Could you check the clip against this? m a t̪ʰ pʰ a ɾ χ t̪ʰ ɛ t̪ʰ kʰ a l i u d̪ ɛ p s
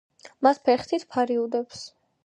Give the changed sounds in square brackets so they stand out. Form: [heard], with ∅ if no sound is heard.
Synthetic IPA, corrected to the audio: m a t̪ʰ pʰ [ɛ] ɾ χ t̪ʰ [i] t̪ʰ [pʰ] a [ɾ] i u d̪ ɛ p s